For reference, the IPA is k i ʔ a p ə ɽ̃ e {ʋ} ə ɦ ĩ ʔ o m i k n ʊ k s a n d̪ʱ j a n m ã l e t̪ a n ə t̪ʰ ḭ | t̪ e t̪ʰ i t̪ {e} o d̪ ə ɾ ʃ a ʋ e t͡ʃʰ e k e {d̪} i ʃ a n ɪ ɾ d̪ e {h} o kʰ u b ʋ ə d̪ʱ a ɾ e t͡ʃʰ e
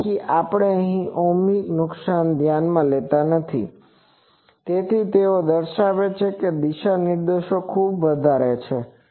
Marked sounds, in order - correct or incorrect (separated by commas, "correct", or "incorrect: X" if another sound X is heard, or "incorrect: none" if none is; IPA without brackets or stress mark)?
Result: incorrect: none, correct, correct, incorrect: ʃ